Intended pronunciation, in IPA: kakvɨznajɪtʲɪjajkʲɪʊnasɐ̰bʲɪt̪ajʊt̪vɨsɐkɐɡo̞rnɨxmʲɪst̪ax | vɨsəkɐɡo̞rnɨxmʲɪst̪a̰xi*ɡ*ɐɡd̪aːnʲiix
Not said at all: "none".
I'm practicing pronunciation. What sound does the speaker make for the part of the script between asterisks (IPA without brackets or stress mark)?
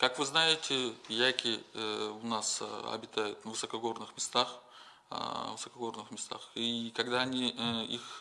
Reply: k